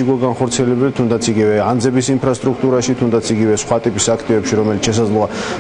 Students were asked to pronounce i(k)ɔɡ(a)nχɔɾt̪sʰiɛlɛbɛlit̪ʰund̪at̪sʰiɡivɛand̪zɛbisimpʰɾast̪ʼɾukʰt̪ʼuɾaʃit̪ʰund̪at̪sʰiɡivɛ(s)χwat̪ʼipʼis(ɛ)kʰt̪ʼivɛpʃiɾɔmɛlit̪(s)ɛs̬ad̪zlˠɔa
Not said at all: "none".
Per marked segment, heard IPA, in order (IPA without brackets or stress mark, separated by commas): ɡ, a, s, a, ʃ